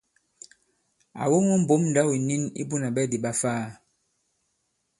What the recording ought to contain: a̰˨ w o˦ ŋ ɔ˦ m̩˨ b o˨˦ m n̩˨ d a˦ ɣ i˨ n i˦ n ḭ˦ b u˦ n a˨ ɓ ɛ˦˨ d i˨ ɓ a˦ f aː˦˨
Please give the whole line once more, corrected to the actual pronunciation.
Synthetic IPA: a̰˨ w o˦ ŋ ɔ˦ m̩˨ b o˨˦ m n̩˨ d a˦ w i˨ n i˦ n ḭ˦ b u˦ n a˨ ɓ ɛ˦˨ d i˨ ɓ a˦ f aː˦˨